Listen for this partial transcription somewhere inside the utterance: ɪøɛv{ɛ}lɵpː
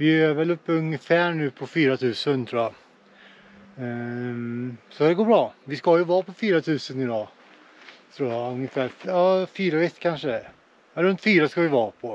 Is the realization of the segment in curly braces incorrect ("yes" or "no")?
no